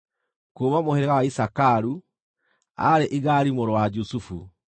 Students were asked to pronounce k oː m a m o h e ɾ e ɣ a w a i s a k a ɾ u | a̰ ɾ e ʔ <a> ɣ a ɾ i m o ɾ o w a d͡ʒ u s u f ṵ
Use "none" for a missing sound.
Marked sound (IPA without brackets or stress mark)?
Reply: i